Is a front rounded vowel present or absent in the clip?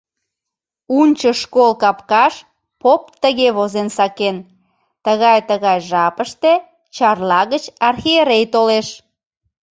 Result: absent